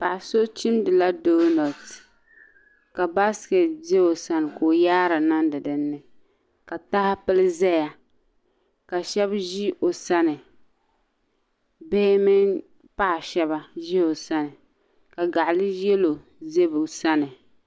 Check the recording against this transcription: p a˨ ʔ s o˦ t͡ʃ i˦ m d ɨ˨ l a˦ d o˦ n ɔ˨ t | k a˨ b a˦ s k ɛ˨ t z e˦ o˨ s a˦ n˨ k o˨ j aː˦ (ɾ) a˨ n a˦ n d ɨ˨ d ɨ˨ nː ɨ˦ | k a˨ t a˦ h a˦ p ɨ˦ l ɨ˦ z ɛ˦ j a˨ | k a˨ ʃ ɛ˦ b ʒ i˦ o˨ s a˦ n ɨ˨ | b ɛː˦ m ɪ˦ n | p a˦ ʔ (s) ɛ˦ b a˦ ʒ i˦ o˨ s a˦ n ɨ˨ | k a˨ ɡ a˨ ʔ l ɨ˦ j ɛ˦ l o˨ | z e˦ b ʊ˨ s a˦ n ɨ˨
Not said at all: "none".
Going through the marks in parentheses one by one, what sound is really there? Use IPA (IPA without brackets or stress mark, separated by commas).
ɾ, ʃ